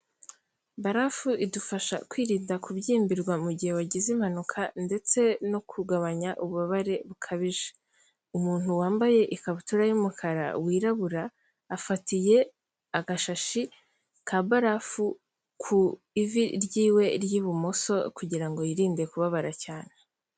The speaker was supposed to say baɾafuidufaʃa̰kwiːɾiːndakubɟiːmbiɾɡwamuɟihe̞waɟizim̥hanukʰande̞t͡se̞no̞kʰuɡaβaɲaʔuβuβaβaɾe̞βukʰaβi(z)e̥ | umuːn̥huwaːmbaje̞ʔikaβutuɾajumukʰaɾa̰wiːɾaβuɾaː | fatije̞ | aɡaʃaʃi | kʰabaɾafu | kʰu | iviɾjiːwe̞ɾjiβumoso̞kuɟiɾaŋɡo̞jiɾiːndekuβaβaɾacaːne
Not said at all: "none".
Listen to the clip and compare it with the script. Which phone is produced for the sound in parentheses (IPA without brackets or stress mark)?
ʒ